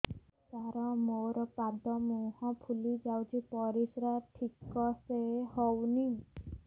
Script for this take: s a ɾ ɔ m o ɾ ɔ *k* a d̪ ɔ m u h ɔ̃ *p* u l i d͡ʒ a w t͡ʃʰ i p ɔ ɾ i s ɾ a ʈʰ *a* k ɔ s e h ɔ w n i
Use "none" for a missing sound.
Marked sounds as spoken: p, pʰ, i

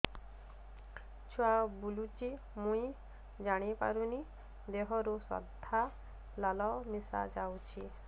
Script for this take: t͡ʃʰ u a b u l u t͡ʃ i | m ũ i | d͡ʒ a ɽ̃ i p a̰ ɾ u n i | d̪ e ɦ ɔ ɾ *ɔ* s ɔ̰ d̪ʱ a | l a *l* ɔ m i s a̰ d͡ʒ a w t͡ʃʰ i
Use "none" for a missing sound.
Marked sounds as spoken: u, l

